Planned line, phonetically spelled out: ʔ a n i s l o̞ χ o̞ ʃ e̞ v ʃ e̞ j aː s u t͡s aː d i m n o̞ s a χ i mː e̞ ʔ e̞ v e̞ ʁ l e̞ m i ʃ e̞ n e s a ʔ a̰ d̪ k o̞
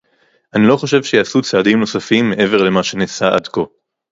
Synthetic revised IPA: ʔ a n i l o̞ χ o̞ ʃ e̞ v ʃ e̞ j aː s u t͡s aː d i m n o̞ s a f i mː e̞ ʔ e̞ v e̞ ʁ l e̞ m a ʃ e̞ n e s a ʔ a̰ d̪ k o̞